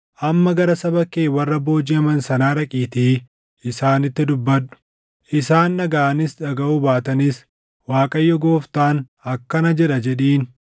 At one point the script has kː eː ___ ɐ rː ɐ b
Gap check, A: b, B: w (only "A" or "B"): B